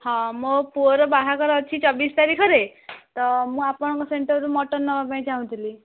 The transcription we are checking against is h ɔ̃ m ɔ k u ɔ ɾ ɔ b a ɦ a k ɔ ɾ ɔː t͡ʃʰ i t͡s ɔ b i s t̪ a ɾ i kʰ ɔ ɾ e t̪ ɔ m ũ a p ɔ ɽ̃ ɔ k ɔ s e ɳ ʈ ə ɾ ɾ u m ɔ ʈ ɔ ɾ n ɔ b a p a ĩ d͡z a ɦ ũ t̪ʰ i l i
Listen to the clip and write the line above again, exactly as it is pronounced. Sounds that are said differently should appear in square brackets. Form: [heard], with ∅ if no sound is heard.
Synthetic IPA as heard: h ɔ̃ m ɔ [p] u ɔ ɾ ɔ b a ɦ a k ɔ ɾ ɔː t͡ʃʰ i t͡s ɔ b i s t̪ a ɾ i kʰ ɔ ɾ e t̪ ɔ m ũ a p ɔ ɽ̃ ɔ k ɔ s e ɳ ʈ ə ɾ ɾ u m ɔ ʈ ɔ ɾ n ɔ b a p a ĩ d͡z a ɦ ũ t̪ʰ i l i